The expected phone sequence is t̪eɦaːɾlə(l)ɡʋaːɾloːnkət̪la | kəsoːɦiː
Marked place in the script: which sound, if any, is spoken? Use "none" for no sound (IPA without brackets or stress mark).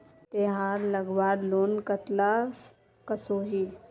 none